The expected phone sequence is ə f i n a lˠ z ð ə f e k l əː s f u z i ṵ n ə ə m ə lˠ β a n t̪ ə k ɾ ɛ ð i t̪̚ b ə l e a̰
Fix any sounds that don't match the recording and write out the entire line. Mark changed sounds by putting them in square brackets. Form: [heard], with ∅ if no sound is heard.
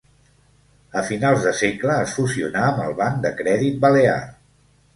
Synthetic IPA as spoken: ə f i n a lˠ z ð ə [s] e k l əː s f u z i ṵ n [a] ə m ə lˠ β a n [d̪] ə k ɾ ɛ ð i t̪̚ b ə l e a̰